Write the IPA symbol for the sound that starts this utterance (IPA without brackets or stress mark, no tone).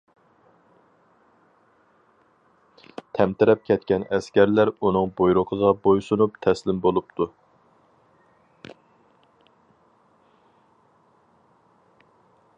t̪ʰ